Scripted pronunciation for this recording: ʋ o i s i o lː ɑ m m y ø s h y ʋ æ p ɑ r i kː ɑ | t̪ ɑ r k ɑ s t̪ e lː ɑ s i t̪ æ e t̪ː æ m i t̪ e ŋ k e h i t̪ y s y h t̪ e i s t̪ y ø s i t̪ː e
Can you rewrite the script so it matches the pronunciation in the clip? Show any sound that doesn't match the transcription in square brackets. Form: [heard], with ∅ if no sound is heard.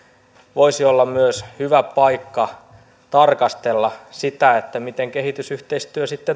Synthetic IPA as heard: ʋ o i s i o lː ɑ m m y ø s h y ʋ æ p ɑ [∅] i kː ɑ | t̪ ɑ r k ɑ s t̪ e lː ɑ s i t̪ æ e t̪ː æ m i t̪ e ŋ k e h i t̪ y s y h t̪ e i s t̪ y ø s i t̪ː e